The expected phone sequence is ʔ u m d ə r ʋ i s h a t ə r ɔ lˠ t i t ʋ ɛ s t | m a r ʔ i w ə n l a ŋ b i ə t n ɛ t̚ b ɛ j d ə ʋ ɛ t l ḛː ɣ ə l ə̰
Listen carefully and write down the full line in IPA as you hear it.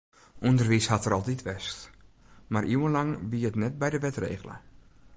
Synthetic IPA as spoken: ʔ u n d ə r ʋ i s h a t ə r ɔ lˠ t i t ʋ ɛ s t | m a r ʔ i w ə n l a ŋ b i ə t n ɛ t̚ b ɛ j d ə ʋ ɛ t r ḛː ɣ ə l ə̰